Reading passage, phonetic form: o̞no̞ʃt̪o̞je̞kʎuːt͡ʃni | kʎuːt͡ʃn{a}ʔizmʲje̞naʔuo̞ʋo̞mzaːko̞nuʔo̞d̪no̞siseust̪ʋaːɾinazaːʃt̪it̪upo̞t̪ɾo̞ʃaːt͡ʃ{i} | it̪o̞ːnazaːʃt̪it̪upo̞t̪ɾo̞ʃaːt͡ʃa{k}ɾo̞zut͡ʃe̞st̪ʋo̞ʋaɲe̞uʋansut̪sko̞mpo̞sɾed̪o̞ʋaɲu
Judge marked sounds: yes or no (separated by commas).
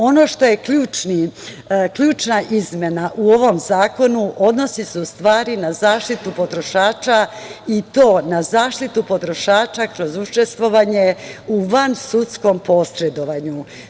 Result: yes, no, yes